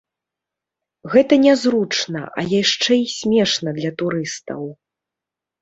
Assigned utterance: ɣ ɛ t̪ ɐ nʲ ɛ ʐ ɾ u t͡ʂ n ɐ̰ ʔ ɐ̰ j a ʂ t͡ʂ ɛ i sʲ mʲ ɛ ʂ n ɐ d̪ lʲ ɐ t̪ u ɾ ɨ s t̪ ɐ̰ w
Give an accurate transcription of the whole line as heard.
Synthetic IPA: ɣ ɛ t̪ ɐ nʲ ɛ z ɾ u t͡ʂ n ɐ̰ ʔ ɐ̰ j a ʂ t͡ʂ ɛ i sʲ mʲ ɛ ʂ n ɐ d̪ lʲ ɐ t̪ u ɾ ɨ s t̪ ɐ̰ w